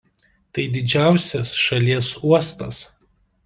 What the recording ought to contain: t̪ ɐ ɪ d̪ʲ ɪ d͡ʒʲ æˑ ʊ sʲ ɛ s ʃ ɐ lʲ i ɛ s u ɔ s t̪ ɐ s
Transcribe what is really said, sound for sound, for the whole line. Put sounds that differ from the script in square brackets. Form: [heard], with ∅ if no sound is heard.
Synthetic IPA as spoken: t̪ ɐ ɪ d̪ʲ ɪ d͡ʒʲ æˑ ʊ sʲ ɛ s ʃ ɐ lʲ i ɛ s u ɔ s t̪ ɐ s